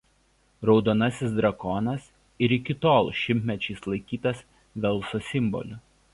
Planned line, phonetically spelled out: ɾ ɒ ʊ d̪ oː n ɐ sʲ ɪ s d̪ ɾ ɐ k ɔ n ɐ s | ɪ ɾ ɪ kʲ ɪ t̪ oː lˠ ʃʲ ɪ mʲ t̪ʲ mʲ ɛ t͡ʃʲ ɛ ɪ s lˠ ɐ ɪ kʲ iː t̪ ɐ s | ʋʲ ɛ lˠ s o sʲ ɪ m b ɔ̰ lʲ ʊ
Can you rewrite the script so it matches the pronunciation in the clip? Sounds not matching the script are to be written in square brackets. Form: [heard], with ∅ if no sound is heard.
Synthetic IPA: ɾ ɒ ʊ d̪ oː n ɐ sʲ ɪ s d̪ ɾ ɐ k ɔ n ɐ s | ɪ ɾ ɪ kʲ ɪ t̪ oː lˠ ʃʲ ɪ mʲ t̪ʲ mʲ ɛ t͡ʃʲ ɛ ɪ s lˠ ɐ ɪ kʲ iː t̪ ɐ s | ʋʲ ɛ lˠ s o sʲ ɪ m b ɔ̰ lʲ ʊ